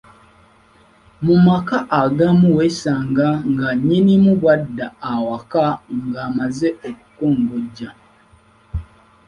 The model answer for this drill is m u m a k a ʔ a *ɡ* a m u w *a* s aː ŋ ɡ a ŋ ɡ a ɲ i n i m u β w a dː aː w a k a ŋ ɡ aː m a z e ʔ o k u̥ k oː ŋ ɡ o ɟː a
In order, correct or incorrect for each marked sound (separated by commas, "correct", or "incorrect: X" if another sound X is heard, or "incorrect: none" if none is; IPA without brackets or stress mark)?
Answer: correct, incorrect: e